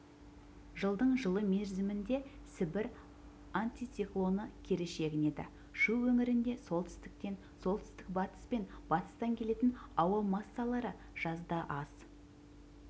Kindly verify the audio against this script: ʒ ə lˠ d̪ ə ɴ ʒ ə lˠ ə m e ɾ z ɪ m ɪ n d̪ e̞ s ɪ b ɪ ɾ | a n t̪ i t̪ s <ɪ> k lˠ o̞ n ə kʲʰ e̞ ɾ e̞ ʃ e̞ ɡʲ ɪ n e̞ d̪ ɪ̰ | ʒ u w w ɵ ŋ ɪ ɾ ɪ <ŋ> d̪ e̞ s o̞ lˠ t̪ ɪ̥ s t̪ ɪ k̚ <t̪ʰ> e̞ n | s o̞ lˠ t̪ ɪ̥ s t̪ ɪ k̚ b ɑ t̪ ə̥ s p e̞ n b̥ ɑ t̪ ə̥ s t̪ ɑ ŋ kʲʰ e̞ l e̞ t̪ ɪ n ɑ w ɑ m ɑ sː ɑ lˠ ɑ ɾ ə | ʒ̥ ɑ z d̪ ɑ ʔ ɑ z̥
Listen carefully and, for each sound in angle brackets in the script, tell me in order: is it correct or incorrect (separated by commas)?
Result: incorrect, incorrect, incorrect